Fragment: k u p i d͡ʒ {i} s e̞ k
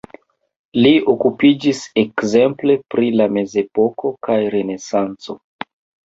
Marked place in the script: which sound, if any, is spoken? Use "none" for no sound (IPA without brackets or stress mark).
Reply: i